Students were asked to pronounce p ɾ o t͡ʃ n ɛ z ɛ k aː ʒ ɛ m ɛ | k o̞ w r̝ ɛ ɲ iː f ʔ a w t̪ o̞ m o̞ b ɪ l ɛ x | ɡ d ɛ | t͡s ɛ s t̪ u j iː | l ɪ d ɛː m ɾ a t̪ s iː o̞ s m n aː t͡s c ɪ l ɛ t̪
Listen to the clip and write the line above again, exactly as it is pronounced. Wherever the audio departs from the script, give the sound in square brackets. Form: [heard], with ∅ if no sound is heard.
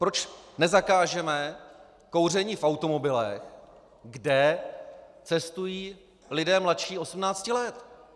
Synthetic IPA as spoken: p ɾ o t͡ʃ n ɛ z [a] k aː ʒ ɛ m ɛ | k o̞ w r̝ ɛ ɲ iː f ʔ a w t̪ o̞ m o̞ b ɪ l ɛ x | ɡ d ɛ | t͡s ɛ s t̪ u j iː | l ɪ d ɛː m [l] a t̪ [ʃ] iː o̞ s m n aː t͡s c ɪ l ɛ t̪

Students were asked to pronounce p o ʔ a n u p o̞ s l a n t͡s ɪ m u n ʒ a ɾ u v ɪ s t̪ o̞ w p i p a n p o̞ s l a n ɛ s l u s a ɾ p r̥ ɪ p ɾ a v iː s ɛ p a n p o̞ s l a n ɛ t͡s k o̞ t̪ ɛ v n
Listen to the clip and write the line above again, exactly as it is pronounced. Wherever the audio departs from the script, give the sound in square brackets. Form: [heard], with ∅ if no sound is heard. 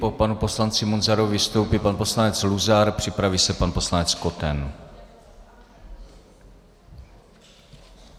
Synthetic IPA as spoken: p o [p] a n u p o̞ s l a n t͡s ɪ m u n [z] a ɾ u v ɪ s t̪ o̞ w p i p a n p o̞ s l a n ɛ [t͡s] l u [z] a ɾ p r̥ ɪ p ɾ a v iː s ɛ p a n p o̞ s l a n ɛ t͡s k o̞ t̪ ɛ [∅] n

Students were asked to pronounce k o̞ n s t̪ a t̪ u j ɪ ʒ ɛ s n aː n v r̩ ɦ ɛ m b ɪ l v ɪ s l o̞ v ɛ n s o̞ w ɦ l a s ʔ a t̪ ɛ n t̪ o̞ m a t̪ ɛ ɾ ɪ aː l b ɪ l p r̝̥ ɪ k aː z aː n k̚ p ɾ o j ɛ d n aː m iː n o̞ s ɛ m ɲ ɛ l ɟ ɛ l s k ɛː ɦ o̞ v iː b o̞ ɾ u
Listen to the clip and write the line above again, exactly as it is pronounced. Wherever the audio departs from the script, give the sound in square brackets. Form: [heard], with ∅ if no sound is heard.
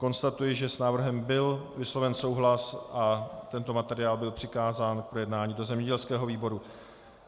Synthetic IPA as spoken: k o̞ n s t̪ a t̪ u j ɪ ʒ ɛ s n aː [∅] v r̩ ɦ ɛ m b ɪ l v ɪ s l o̞ v ɛ n s o̞ w ɦ l a s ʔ a t̪ ɛ n t̪ o̞ m a t̪ ɛ ɾ ɪ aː l b ɪ l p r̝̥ ɪ k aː z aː n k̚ p ɾ o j ɛ d n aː [ɲ] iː [d] o̞ [z] ɛ m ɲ ɛ [∅] ɟ ɛ l s k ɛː ɦ o̞ v iː b o̞ ɾ u

